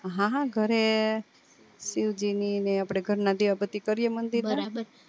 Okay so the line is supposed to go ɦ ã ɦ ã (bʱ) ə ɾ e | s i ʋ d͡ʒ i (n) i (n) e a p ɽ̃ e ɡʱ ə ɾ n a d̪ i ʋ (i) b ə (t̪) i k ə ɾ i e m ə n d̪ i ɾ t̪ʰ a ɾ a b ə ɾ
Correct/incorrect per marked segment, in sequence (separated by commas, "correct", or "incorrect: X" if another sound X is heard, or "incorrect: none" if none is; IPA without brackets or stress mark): incorrect: ɡʱ, correct, correct, incorrect: a, correct